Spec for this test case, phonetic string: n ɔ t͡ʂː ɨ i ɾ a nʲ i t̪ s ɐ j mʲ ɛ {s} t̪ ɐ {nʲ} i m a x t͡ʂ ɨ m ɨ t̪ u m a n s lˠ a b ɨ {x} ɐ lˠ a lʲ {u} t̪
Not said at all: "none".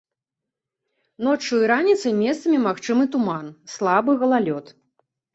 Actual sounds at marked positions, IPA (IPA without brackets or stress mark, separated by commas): s, mʲ, ɣ, ɔ